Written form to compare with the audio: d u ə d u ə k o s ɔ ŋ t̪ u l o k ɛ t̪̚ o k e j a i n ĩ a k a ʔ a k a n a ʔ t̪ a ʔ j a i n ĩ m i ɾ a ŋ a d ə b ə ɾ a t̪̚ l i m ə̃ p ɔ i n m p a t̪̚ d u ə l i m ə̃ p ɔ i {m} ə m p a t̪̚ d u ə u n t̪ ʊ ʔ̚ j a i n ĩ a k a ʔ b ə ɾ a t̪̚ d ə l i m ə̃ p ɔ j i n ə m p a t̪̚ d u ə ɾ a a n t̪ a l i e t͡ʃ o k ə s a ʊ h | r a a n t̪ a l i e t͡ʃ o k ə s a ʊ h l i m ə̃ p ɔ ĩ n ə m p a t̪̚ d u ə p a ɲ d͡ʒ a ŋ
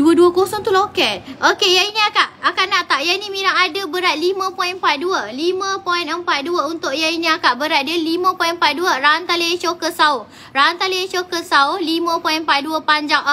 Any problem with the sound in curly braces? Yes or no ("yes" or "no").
yes